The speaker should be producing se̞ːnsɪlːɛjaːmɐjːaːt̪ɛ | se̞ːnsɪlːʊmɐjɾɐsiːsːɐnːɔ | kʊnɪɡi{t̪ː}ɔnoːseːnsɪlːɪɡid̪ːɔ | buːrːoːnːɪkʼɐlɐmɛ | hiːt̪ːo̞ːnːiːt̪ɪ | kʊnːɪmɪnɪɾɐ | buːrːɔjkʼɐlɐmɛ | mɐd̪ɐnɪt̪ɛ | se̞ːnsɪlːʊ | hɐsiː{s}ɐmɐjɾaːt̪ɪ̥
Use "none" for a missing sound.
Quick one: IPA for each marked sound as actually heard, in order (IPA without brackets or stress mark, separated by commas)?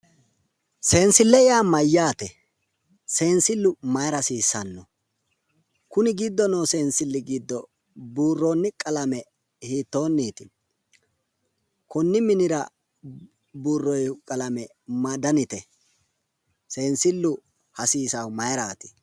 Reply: d̪ː, s